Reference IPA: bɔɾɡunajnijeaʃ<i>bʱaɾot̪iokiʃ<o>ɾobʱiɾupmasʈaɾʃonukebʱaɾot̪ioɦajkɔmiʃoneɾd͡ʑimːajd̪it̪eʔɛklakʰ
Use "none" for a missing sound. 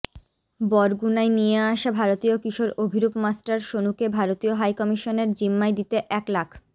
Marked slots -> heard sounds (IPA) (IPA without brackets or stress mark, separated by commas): a, o